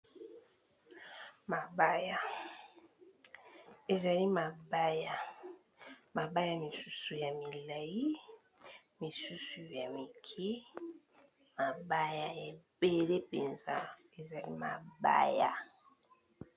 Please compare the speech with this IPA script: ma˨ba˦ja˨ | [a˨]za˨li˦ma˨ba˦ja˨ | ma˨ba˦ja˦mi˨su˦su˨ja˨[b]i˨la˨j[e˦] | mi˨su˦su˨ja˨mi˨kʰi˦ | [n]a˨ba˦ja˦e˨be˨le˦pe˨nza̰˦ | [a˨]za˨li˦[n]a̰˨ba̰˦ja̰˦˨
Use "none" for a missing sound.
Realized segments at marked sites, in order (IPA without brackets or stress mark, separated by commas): e˨, m, i˦, m, e˨, m